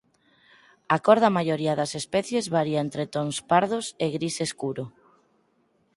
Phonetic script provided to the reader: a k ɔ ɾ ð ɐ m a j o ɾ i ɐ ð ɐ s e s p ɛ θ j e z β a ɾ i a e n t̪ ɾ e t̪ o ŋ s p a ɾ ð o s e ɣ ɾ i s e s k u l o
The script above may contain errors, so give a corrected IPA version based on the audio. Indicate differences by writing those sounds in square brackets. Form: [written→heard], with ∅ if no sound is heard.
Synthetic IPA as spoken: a k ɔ ɾ ð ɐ m a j o ɾ i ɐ ð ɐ s e s p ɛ θ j e z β a ɾ i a e n t̪ ɾ e t̪ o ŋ s p a ɾ ð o s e ɣ ɾ i s e s k u [l→ɾ] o